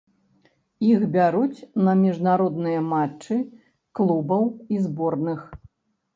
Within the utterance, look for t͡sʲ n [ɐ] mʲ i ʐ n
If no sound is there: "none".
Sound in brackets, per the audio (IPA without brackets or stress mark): ɐ